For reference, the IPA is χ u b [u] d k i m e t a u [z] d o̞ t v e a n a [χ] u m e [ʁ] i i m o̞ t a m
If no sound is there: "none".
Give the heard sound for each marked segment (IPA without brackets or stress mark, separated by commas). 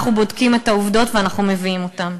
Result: o, v, χ, v